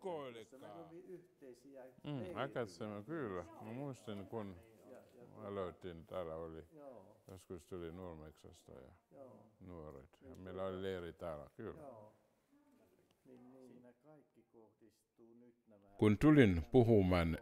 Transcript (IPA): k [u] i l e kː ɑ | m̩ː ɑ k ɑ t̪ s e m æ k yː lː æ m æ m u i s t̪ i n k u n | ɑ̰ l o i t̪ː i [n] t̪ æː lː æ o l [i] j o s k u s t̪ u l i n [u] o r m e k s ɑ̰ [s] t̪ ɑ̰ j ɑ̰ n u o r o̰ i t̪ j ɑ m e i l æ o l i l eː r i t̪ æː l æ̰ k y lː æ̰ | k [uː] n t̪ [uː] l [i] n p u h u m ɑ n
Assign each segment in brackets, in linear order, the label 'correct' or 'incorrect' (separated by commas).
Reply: incorrect, correct, correct, correct, correct, incorrect, incorrect, correct